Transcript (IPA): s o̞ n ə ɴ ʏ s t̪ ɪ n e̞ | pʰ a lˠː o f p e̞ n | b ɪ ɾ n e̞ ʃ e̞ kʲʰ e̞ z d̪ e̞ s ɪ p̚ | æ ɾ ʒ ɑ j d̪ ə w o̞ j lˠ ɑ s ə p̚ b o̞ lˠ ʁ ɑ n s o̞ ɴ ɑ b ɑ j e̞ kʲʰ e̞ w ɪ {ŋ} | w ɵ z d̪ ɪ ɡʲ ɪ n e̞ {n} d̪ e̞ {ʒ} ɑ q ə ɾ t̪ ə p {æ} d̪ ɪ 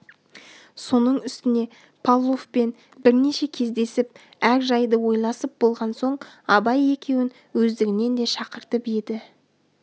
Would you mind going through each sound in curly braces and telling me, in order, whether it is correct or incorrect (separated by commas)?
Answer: incorrect, correct, incorrect, incorrect